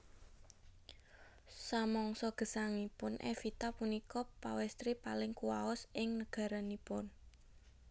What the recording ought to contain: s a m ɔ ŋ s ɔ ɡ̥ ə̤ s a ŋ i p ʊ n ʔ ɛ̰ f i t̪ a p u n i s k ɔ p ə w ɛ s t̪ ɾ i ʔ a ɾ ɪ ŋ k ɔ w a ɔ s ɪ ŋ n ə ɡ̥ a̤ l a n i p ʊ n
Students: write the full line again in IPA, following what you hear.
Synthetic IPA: s a m ɔ ŋ s ɔ ɡ̥ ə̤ s a ŋ i p ʊ n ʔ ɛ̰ f i t̪ a p u n i k ɔ p a w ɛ s t̪ ɾ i p a l ɪ ŋ k u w a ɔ s ɪ ŋ n ə ɡ̥ a̤ ɾ a n i p ʊ n